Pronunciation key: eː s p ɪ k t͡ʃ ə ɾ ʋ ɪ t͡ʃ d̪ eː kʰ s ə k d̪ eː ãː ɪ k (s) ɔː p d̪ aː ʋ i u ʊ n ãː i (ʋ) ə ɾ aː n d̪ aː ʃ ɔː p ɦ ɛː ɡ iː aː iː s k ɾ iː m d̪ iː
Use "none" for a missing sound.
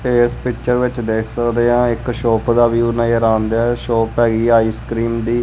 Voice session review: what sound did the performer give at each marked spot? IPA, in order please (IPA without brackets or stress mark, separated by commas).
ʃ, none